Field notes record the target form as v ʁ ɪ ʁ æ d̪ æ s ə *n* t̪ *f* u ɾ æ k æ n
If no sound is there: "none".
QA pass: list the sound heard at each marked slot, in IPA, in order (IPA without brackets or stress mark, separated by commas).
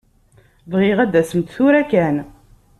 m, θ